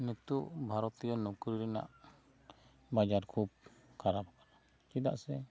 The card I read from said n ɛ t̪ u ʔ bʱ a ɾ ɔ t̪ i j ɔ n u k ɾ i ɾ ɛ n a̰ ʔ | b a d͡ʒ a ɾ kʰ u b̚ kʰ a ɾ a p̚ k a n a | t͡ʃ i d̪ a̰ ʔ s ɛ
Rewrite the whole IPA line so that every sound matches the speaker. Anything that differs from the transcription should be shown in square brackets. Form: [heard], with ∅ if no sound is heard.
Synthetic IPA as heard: n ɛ t̪ u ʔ bʱ a ɾ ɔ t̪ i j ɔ n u k ɾ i ɾ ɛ n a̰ ʔ | b a d͡ʒ a ɾ kʰ u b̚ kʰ a ɾ a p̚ k a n a | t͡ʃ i d̪ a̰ ʔ s ɛ